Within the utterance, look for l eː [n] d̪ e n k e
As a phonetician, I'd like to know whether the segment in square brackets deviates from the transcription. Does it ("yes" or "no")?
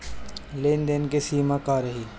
no